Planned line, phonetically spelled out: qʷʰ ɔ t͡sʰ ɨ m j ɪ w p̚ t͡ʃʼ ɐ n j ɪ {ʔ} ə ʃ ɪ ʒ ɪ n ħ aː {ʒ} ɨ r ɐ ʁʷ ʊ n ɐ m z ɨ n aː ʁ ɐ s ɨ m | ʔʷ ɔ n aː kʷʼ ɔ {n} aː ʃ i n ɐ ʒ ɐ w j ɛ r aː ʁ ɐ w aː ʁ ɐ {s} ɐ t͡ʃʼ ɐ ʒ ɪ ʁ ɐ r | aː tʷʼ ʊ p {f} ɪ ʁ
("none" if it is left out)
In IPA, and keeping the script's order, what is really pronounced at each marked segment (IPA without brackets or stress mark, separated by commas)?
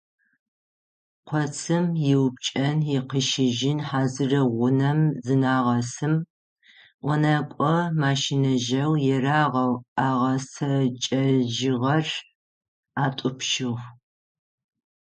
q, z, m, s, ʃ